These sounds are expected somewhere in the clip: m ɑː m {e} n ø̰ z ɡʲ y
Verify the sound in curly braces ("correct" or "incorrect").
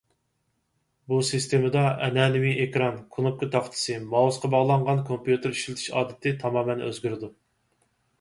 incorrect